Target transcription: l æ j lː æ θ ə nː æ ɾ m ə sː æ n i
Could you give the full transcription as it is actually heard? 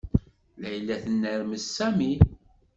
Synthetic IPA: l æ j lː æ θ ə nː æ ɾ m ə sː æ m i